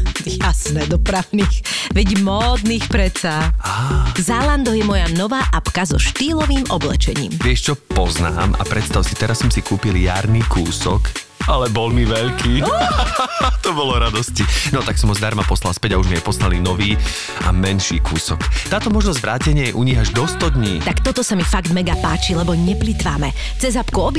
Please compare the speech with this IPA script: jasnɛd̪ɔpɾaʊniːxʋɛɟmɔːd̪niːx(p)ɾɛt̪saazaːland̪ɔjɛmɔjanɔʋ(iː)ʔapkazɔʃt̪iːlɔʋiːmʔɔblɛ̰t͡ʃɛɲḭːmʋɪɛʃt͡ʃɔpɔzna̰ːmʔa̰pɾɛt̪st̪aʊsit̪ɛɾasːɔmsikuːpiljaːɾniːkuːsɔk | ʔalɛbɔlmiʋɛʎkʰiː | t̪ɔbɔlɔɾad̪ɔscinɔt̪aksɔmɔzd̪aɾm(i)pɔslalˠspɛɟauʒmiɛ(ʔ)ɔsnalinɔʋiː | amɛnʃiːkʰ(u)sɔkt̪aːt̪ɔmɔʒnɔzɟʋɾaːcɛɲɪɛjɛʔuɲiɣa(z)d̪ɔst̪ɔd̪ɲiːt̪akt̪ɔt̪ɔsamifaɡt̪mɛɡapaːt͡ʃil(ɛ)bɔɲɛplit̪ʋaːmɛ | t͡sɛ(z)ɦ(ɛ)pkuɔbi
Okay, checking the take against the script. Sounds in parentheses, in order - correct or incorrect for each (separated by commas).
correct, incorrect, incorrect, incorrect, incorrect, incorrect, correct, correct, incorrect